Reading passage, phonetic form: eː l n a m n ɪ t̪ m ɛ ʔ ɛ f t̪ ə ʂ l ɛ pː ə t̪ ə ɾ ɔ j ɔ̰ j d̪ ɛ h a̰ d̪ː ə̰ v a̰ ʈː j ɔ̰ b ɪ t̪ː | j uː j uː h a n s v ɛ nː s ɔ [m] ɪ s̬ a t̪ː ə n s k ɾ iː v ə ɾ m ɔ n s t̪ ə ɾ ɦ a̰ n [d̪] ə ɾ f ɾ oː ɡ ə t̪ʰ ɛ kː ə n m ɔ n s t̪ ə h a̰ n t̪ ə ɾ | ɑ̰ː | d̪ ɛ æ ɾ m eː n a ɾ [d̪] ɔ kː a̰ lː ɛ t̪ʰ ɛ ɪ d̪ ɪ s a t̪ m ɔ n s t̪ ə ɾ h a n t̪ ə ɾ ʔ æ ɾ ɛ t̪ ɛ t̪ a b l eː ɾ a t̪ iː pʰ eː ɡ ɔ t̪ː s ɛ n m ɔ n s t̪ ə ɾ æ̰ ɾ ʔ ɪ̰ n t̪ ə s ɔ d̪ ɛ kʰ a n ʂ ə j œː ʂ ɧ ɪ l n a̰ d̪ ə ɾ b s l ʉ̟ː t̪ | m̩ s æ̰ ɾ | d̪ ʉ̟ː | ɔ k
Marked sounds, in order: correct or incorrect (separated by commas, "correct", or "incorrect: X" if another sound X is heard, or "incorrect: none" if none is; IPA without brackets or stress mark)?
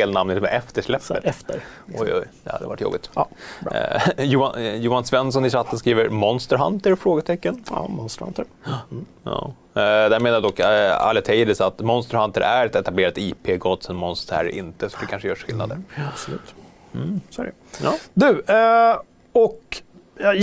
incorrect: n, incorrect: t̪, correct